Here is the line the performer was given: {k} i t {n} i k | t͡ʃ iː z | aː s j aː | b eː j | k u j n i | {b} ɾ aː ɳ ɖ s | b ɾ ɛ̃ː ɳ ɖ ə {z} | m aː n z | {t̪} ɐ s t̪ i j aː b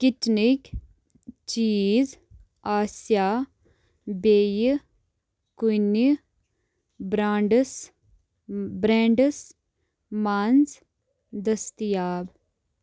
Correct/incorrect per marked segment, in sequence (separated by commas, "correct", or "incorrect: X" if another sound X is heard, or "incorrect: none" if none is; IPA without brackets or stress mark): correct, correct, correct, incorrect: s, incorrect: d̪